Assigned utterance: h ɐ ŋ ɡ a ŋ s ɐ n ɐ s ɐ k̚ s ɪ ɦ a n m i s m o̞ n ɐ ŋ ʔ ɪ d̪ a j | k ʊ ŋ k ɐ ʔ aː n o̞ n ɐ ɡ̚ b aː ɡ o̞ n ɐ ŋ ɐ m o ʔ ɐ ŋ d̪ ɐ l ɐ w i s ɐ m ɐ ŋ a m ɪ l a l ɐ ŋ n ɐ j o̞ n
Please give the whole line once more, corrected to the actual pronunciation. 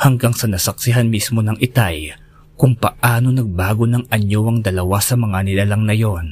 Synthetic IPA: h ɐ ŋ ɡ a ŋ s ɐ n ɐ s ɐ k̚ s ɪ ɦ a n m i s m o̞ n ɐ ŋ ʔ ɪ t̪ a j | k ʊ ŋ p ɐ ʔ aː n o̞ n ɐ ɡ̚ b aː ɡ o̞ n ɐ ŋ ɐ ɲ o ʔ ɐ ŋ d̪ ɐ l ɐ w a s ɐ m ɐ ŋ a n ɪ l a l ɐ ŋ n ɐ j o̞ n